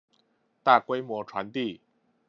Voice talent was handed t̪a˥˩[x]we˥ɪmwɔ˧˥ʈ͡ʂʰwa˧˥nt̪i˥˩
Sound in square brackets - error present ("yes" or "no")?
yes